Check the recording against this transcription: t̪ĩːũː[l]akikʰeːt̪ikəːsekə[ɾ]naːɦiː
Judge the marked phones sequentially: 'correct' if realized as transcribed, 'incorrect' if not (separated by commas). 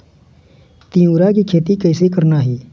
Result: incorrect, correct